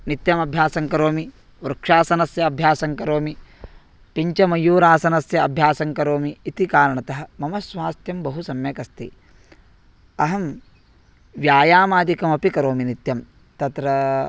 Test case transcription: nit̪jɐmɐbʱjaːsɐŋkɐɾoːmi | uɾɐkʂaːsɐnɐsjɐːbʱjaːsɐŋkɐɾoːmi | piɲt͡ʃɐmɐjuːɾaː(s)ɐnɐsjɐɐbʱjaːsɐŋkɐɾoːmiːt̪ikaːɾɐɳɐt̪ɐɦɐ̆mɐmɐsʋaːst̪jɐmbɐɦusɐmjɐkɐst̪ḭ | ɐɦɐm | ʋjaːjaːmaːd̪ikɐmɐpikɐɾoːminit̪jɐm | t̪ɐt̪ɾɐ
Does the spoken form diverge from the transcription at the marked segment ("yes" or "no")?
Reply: no